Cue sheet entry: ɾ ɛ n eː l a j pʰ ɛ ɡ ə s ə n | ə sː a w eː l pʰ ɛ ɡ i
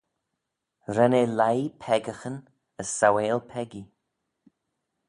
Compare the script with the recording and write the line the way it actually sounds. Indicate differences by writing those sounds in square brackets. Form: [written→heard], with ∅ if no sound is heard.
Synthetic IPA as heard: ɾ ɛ n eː l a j pʰ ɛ ɡ ə [s→x] ə n | ə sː a w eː l pʰ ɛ ɡ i